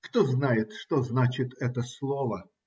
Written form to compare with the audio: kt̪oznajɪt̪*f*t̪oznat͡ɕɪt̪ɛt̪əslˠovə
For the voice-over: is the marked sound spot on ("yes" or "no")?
no